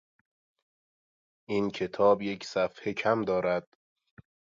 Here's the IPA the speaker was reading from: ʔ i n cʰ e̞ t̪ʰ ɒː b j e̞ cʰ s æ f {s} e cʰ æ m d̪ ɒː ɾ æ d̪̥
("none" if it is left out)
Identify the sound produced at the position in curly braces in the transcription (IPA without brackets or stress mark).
h